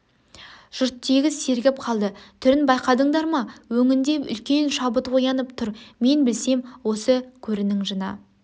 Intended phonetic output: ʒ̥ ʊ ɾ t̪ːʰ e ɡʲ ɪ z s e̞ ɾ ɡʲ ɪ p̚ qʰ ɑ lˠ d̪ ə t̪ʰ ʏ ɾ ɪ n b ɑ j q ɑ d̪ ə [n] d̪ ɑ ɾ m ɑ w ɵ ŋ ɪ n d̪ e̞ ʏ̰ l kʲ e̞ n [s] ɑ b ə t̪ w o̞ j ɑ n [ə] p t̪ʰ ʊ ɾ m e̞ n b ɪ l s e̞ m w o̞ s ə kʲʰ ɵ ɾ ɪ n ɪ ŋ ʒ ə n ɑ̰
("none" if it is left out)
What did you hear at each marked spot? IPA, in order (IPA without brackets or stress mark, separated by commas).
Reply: ɴ, ʃ, ə